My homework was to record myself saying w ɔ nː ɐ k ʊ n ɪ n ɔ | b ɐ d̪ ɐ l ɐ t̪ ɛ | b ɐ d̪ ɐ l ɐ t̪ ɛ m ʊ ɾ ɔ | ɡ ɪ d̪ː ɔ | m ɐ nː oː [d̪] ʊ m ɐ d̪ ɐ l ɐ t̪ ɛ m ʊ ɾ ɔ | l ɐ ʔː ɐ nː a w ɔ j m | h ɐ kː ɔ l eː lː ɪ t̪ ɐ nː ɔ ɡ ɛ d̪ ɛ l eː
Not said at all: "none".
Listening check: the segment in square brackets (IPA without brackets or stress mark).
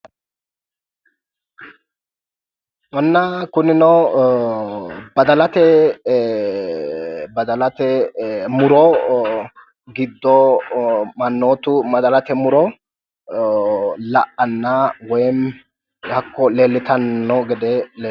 t̪